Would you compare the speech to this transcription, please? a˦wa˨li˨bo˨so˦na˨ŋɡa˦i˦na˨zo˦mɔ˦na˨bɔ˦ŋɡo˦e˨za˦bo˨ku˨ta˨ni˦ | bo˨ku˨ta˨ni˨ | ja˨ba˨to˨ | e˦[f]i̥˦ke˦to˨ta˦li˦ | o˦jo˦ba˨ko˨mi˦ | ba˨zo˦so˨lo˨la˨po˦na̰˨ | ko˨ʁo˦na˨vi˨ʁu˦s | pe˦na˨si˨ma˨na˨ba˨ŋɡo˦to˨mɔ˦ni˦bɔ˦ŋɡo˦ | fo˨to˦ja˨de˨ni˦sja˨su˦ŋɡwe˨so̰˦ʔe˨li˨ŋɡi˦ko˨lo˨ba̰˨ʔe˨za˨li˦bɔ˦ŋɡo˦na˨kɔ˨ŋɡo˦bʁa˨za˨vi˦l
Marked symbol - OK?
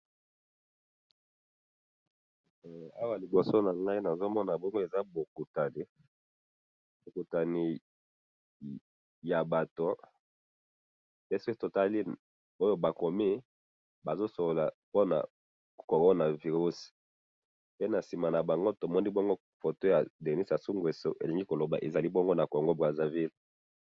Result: no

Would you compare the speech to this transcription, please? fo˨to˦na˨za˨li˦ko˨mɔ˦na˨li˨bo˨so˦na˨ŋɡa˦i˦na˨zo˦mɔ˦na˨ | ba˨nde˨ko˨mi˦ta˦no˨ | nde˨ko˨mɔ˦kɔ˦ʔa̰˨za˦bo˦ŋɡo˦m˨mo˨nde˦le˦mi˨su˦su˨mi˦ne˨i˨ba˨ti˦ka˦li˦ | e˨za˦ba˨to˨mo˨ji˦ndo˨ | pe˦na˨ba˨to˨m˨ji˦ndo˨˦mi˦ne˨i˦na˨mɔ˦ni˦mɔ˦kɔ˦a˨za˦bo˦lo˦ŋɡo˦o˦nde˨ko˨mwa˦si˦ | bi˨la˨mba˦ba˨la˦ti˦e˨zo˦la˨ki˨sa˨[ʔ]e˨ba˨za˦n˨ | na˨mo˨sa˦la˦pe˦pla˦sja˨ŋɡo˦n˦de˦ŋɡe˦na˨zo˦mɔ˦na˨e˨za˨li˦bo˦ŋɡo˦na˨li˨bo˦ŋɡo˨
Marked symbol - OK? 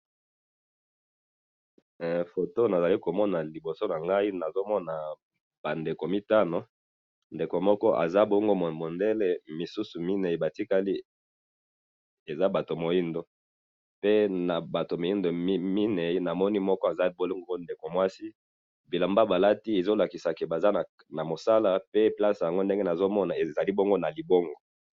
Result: no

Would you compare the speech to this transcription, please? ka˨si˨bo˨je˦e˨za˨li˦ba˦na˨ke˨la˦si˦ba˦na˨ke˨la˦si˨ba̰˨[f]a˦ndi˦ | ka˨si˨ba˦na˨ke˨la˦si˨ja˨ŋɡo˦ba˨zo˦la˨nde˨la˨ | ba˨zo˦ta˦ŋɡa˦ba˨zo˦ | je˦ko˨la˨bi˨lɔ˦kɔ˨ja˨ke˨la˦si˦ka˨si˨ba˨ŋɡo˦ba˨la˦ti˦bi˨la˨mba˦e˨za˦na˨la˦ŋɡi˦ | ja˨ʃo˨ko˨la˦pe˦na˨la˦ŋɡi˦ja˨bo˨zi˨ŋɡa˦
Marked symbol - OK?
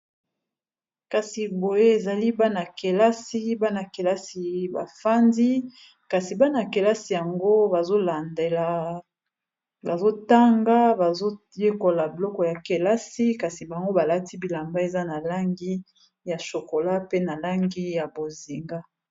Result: yes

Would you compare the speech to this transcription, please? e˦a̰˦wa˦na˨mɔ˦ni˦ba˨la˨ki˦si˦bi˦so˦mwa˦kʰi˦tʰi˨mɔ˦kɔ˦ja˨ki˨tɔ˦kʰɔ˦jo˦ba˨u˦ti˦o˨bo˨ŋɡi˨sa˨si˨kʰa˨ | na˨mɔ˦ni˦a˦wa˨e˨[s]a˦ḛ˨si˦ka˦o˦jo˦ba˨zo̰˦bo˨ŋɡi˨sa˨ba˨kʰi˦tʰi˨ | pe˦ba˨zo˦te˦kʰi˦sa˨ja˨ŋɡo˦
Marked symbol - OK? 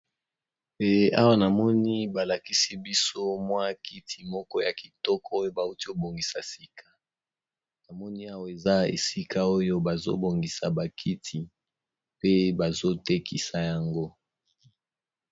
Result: no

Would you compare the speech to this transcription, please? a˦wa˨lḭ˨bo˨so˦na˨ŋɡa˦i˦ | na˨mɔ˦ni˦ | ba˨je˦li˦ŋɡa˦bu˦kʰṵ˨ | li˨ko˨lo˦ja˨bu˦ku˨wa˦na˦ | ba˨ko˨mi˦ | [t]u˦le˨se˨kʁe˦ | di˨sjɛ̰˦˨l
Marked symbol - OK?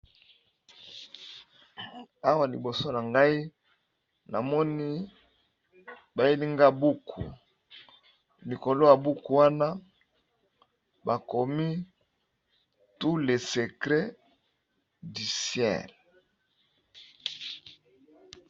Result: yes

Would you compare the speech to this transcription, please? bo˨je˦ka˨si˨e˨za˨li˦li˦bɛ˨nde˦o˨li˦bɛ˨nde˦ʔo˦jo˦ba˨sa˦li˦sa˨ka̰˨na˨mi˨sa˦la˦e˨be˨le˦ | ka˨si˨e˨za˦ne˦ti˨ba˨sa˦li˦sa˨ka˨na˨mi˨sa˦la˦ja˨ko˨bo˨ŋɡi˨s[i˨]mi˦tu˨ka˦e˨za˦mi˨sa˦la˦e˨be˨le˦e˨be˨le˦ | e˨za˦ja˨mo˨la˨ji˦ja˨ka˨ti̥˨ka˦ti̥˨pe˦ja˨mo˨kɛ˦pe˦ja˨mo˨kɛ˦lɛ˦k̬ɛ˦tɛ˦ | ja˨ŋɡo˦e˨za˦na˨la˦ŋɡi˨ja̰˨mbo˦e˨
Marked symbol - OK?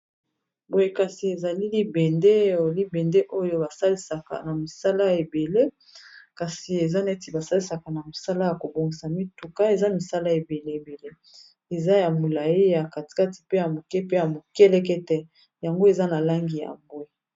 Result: no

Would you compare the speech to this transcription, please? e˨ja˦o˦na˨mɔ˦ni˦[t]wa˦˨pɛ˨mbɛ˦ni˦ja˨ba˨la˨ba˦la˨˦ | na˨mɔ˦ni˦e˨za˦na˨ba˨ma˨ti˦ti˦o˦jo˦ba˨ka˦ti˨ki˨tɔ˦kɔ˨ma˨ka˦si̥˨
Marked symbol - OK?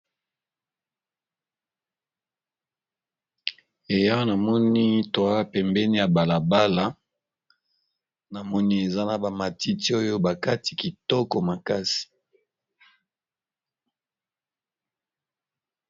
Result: yes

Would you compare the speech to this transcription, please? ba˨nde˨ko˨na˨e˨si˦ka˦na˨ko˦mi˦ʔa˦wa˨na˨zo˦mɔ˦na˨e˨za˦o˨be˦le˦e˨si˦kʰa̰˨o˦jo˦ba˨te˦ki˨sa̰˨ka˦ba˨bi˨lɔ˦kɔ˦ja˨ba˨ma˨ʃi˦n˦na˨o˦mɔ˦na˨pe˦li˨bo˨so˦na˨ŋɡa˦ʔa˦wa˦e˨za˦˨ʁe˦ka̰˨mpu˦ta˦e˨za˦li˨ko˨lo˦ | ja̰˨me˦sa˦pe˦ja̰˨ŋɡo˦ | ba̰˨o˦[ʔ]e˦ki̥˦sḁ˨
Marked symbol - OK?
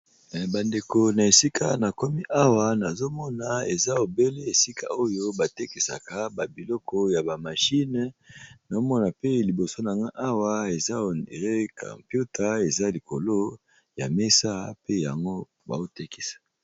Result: no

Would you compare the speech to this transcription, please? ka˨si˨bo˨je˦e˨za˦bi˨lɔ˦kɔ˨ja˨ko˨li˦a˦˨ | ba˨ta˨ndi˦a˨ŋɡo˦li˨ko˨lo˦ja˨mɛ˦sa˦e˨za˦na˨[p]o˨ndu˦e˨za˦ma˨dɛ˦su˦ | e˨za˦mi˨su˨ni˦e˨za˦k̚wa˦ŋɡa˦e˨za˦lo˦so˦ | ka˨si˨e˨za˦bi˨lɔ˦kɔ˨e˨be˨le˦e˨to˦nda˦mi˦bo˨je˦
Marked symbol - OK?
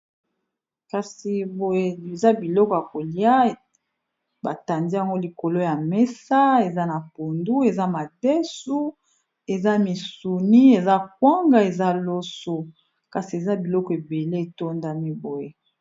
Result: yes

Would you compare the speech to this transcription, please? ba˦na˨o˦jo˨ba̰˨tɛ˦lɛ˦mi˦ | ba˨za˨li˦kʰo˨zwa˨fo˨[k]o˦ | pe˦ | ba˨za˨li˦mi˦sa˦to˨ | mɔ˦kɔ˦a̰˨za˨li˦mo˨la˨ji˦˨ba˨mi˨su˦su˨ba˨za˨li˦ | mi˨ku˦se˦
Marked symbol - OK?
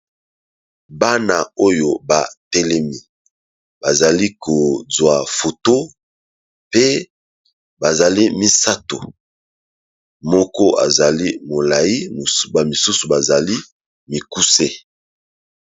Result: no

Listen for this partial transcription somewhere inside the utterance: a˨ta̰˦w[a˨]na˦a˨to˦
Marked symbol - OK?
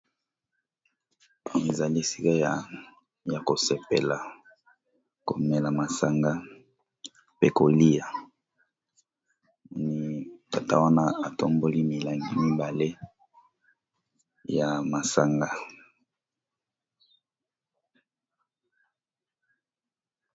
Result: no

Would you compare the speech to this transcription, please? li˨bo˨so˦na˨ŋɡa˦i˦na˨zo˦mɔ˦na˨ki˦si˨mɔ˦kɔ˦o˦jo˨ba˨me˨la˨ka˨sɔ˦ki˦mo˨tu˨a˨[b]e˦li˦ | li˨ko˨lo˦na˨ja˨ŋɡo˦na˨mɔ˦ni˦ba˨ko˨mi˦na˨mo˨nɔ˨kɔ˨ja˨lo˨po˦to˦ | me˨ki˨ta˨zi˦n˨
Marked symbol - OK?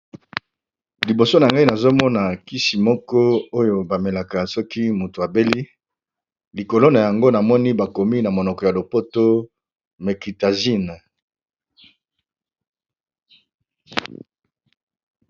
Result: yes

